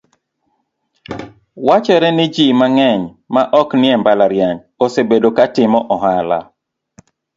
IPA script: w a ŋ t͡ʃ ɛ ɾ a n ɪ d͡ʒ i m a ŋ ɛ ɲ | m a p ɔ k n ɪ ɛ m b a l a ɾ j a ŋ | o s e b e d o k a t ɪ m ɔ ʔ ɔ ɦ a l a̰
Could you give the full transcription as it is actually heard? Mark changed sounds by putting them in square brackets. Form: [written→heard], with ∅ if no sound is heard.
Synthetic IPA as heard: w a [ŋ→∅] t͡ʃ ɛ ɾ [a→ɛ] n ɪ d͡ʒ i m a ŋ ɛ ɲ | m a [p→ʔ] ɔ k n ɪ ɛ m b a l a ɾ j a [ŋ→ɲ] | o s e b e d o k a t ɪ m ɔ ʔ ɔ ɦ a l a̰

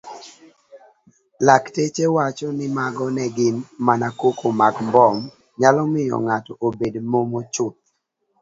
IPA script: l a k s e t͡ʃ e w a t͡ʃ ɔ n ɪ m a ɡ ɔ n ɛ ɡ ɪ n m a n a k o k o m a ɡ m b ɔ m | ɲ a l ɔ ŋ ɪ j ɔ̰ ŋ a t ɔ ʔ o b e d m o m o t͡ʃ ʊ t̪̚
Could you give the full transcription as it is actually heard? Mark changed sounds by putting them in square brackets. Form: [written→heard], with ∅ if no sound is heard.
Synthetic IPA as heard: l a k [s→t] e t͡ʃ e w a t͡ʃ ɔ n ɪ m a ɡ ɔ n ɛ ɡ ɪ n m a n a k o k o m a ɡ m b ɔ m | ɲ a l ɔ [ŋ→m] ɪ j ɔ̰ ŋ a t ɔ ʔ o b e d m o m o t͡ʃ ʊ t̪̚

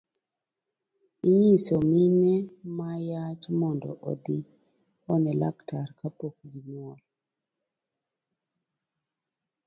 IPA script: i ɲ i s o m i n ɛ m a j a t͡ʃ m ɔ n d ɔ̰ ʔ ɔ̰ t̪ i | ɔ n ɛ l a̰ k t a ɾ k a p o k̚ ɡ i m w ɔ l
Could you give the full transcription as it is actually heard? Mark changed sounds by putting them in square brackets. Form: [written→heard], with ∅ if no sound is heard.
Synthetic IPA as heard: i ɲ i s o m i n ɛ m a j a t͡ʃ m ɔ n d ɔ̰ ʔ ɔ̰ [t̪→d̪] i | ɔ n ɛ l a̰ k t a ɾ k a p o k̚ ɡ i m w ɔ l

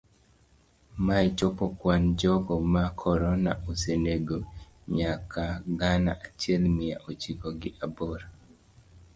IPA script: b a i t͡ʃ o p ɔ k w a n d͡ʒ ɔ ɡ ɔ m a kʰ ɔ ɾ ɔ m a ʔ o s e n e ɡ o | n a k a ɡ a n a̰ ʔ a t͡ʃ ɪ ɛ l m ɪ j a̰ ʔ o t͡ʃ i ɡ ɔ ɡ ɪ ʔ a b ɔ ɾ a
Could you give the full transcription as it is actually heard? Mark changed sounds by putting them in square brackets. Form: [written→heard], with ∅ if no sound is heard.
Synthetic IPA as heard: [b→m] a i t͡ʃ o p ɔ k w a n d͡ʒ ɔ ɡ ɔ m a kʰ ɔ ɾ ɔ [m→n] a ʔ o s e n e ɡ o | [n→ɲ] a k a ɡ a n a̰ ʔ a t͡ʃ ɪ ɛ l m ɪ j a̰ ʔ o t͡ʃ i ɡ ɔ ɡ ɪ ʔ a b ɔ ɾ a

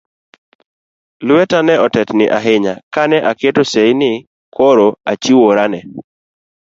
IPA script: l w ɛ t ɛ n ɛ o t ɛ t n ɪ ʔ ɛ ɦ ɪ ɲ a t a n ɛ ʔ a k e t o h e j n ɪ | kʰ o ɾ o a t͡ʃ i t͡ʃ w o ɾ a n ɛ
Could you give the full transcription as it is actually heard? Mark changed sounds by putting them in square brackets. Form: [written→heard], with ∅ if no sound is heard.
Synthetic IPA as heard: l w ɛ t [ɛ→a] n ɛ [o→ɔ] t ɛ t n ɪ ʔ [ɛ→a] ɦ ɪ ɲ a [t→k] a n ɛ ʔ a k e t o [h→s] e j n ɪ | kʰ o ɾ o a t͡ʃ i [t͡ʃ→∅] w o ɾ a n ɛ

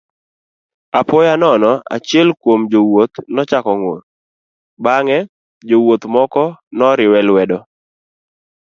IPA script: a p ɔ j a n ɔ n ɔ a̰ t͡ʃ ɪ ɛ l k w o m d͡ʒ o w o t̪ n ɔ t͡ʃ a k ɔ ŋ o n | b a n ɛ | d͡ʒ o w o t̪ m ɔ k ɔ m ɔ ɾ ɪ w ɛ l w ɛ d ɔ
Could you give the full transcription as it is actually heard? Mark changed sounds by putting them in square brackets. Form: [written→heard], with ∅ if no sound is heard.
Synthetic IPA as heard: a p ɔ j a n ɔ n ɔ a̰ t͡ʃ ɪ ɛ l k w o m d͡ʒ o w o t̪ n ɔ t͡ʃ a k ɔ ŋ o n | b a [n→ŋ] ɛ | d͡ʒ o w o t̪ m ɔ k ɔ [m→n] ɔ ɾ ɪ w ɛ l w ɛ d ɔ

